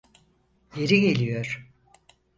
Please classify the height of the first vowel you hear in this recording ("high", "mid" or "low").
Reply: mid